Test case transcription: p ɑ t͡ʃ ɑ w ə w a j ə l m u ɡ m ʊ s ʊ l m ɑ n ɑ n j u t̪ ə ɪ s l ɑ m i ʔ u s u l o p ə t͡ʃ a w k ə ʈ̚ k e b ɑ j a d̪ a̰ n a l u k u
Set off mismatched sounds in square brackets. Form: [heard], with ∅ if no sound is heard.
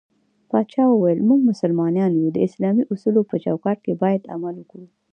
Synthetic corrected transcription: p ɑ t͡ʃ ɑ w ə w a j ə l m u ɡ m ʊ s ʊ l m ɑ n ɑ n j u [d̪] ə ɪ s l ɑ m i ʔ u s u l o p ə t͡ʃ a w k [ɑ] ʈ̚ k e b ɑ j a d̪ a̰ [m] a l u k u